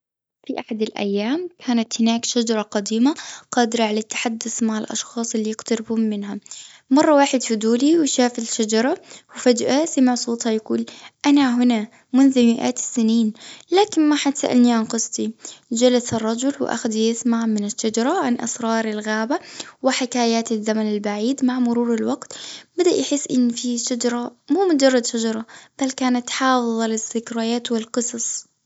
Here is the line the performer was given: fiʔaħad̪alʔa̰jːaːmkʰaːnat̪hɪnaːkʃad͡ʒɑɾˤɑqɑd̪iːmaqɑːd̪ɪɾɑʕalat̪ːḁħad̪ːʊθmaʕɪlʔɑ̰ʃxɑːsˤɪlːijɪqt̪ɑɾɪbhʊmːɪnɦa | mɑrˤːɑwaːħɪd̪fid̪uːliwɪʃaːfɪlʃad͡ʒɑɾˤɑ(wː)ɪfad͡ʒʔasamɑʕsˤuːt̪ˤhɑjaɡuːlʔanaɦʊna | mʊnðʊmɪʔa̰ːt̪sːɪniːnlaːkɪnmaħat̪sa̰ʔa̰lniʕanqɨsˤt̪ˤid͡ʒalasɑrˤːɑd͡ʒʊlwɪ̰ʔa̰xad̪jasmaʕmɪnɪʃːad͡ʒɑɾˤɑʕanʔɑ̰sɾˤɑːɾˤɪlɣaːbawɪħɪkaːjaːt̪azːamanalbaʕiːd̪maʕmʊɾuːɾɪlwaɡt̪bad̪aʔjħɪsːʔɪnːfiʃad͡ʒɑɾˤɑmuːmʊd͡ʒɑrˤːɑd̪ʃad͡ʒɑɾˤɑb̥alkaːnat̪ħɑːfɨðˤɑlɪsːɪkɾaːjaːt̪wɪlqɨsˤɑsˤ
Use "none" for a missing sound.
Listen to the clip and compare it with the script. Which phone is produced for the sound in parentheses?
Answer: w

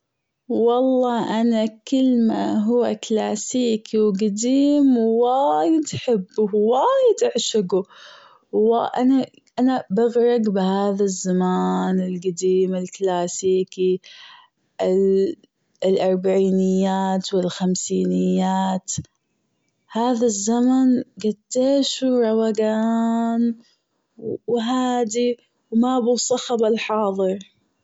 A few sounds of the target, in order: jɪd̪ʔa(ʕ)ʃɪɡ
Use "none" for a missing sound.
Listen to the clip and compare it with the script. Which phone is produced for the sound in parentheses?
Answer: ʕ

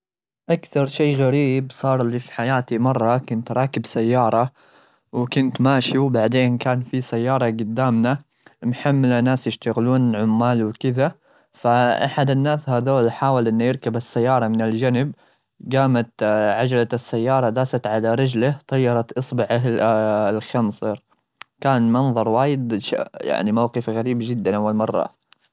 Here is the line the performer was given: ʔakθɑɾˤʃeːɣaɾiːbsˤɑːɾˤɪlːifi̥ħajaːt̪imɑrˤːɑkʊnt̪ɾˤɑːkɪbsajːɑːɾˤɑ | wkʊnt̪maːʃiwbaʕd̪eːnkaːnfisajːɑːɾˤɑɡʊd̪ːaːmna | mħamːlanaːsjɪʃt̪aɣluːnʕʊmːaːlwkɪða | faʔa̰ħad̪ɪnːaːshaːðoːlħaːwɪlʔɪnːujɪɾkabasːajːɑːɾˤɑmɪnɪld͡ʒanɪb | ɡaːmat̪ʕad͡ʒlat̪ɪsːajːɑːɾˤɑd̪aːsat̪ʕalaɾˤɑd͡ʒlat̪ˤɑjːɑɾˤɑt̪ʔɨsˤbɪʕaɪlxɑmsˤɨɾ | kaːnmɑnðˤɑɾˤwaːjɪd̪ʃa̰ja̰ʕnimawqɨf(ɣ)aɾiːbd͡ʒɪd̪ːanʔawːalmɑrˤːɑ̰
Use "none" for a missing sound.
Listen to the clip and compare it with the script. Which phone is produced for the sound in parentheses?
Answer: ɣ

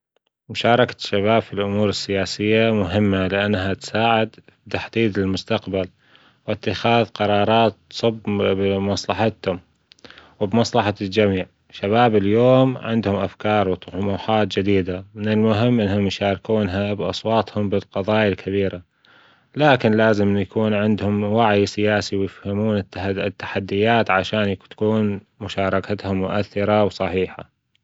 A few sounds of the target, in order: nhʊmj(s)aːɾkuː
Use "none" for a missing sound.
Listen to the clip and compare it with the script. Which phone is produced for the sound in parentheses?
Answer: ʃ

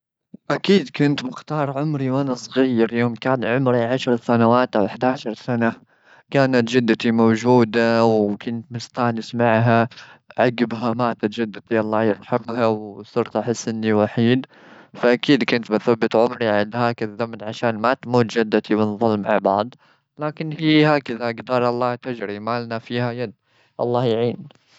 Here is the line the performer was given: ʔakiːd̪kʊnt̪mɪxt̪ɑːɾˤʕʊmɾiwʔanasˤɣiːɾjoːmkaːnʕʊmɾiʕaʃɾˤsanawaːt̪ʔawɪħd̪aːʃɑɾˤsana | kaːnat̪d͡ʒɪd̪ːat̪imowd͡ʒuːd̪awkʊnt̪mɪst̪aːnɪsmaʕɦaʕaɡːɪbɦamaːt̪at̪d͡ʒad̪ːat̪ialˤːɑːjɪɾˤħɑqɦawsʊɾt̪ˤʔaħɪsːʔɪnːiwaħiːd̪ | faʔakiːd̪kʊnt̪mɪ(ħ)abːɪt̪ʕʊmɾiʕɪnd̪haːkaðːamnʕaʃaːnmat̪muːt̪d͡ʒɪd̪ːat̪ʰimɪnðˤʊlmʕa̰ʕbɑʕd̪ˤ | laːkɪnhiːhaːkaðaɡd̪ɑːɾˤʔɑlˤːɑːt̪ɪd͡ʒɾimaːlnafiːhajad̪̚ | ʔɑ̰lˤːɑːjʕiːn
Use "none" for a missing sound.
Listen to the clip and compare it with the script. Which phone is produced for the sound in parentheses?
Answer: θ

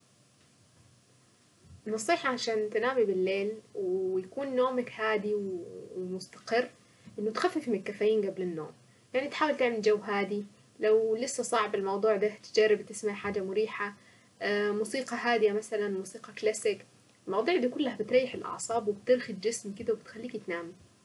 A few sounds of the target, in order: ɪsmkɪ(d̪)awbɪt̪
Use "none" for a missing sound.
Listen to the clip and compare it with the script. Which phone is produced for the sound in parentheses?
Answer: d̪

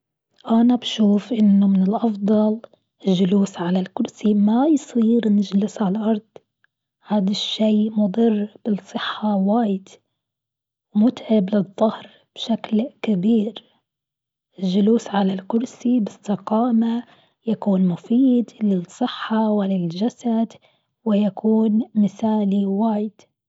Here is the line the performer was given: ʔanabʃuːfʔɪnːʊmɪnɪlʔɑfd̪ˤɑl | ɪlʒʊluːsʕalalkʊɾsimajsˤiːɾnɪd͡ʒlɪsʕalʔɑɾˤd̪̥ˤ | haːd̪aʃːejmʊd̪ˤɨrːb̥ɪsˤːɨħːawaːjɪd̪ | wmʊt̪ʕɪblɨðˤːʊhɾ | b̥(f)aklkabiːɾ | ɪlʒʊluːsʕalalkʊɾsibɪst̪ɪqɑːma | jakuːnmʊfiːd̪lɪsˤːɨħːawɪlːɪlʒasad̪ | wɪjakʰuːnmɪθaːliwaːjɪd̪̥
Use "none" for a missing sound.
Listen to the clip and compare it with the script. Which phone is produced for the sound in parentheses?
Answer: ʃ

